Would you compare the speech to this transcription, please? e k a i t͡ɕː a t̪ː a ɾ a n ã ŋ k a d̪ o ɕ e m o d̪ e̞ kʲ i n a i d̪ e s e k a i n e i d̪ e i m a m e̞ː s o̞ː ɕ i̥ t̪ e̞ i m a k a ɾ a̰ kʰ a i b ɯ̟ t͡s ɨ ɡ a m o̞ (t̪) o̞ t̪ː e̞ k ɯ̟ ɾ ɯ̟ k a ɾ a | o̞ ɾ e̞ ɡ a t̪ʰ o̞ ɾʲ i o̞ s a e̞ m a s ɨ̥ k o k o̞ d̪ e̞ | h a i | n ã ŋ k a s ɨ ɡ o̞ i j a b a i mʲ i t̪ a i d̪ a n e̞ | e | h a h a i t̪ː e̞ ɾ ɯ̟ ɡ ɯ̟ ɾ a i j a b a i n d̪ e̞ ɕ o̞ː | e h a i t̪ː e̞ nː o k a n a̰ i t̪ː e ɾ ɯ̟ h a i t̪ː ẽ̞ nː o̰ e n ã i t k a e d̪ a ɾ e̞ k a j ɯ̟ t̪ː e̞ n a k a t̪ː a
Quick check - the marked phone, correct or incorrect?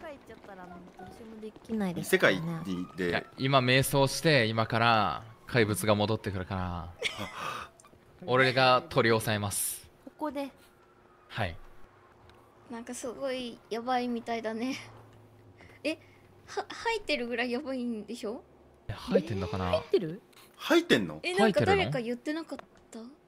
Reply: incorrect